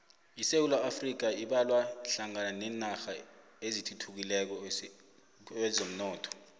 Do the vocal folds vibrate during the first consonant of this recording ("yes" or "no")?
no